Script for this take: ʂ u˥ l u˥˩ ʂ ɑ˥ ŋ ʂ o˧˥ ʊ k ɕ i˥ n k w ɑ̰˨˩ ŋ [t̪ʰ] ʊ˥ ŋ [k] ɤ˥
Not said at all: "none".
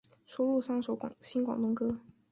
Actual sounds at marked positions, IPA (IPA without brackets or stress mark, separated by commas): t̪, k